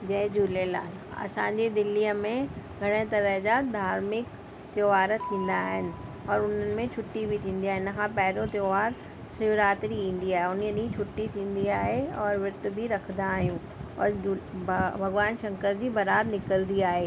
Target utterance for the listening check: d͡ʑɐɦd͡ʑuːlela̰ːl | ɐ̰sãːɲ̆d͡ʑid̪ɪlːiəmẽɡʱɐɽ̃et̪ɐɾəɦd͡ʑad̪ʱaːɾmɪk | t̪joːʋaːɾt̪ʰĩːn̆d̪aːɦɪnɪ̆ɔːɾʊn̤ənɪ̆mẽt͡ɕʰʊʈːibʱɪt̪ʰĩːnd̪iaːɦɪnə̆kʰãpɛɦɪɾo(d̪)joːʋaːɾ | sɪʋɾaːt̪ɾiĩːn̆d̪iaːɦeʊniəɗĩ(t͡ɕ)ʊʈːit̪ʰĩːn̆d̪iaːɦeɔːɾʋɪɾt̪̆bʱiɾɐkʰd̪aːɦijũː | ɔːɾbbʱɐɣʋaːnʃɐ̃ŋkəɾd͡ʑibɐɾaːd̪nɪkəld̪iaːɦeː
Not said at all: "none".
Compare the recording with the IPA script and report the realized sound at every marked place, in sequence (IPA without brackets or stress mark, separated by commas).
t̪, t͡ɕʰ